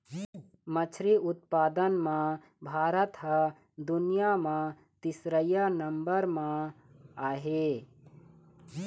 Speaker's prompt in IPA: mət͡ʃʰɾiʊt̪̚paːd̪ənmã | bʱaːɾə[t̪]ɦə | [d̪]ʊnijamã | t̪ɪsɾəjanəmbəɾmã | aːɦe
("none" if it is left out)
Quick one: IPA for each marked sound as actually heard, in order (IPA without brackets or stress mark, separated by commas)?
t̪, d̪